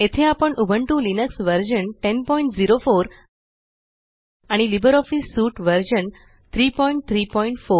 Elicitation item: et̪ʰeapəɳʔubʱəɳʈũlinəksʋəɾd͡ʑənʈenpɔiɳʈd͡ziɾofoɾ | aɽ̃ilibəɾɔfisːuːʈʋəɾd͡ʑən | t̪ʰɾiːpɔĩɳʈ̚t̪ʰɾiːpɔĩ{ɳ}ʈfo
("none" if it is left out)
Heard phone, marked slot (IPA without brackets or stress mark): ɳ